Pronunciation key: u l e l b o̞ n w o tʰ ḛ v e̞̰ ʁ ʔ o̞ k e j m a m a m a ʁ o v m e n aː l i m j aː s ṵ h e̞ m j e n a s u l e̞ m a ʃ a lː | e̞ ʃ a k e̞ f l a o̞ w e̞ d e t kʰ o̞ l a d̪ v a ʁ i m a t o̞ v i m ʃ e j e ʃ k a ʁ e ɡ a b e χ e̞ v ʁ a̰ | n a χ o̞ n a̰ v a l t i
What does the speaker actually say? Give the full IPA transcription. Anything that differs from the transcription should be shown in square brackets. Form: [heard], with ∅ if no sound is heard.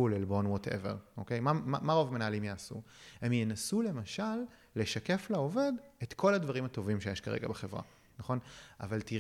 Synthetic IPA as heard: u l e l b o̞ n w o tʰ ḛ v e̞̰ ʁ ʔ o̞ k e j m a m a m a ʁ o v m e n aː l i m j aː s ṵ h e̞ m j e n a s u l e̞ m a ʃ a lː | e̞ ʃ a k e̞ f l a o̞ [v] e̞ d e t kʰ o̞ l a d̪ v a ʁ i m a t o̞ v i m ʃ e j e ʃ k a ʁ e ɡ a b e χ e̞ v ʁ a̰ | n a χ o̞ n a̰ v a l t i